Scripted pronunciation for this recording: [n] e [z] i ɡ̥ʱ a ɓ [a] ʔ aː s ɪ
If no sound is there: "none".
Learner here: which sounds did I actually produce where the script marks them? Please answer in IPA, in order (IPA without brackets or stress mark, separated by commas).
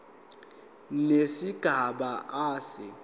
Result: n, s, a